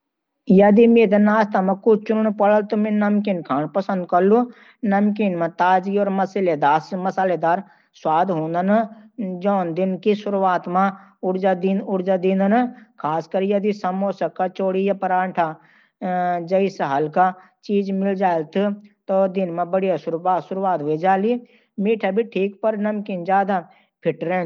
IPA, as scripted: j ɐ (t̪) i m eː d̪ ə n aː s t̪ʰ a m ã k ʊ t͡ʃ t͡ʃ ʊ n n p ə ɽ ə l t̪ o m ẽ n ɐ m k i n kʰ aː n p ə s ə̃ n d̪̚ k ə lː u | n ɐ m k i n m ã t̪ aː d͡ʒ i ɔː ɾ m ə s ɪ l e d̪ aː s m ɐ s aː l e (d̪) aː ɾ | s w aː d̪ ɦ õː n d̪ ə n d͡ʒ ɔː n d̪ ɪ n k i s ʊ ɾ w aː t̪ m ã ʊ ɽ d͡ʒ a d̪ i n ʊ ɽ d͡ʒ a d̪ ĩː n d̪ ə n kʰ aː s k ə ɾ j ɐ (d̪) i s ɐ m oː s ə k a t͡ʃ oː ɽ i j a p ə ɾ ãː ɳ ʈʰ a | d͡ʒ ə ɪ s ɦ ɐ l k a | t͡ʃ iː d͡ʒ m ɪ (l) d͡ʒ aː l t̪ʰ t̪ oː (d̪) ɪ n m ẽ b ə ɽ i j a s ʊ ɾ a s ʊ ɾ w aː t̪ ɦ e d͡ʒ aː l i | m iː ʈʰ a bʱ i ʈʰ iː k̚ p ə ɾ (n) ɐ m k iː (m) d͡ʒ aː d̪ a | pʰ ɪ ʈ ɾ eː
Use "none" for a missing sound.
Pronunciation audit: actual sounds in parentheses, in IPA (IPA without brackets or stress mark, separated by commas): d̪, d̪, d̪, l, d̪, n, n